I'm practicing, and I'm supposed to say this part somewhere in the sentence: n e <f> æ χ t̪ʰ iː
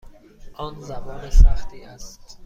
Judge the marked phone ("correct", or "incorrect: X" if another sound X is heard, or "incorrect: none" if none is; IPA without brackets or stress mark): incorrect: s